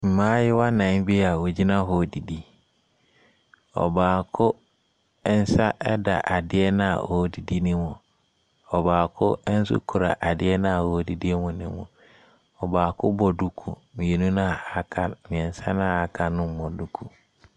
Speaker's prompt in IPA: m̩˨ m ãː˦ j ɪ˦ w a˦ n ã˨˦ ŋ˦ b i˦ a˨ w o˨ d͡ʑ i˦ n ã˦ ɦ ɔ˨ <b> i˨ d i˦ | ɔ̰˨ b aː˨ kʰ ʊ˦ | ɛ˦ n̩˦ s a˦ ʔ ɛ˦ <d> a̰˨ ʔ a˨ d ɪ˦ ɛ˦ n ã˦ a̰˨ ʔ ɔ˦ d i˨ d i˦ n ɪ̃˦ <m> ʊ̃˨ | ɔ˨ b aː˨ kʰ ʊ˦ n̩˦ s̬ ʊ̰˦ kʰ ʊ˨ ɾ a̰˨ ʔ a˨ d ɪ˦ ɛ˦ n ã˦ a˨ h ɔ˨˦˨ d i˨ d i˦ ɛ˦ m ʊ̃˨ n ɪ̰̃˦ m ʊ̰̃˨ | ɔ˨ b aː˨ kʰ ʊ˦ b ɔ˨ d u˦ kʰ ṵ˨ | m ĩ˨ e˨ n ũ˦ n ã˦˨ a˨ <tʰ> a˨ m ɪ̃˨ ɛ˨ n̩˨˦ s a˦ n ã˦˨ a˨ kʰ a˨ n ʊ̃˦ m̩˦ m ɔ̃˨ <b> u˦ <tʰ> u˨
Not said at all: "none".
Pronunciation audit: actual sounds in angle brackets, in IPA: d, d, m, kʰ, d, kʰ

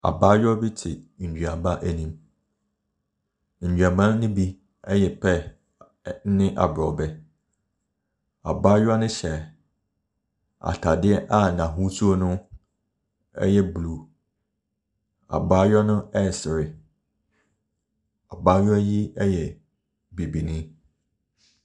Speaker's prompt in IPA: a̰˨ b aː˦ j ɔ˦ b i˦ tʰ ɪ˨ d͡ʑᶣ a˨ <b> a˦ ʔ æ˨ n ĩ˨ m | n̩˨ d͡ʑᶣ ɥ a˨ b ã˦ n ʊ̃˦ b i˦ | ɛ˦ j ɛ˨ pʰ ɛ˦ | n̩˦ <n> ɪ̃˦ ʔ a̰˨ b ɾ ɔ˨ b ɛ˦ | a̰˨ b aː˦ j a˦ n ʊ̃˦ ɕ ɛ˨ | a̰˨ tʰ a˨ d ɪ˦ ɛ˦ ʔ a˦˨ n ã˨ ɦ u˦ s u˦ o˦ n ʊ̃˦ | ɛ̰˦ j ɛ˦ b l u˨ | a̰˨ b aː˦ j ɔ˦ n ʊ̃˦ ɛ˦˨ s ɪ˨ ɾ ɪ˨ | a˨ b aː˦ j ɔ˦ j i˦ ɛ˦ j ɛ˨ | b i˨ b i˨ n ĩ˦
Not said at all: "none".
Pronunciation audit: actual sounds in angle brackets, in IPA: b, n

